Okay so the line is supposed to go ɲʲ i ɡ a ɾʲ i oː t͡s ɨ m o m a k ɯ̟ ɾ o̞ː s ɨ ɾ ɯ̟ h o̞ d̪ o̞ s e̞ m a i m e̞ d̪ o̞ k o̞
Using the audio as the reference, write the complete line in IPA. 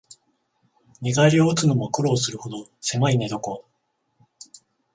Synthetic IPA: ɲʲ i ɡ a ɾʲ i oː t͡s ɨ n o m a k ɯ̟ ɾ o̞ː s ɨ ɾ ɯ̟ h o̞ d̪ o̞ s e̞ m a i n e̞ d̪ o̞ k o̞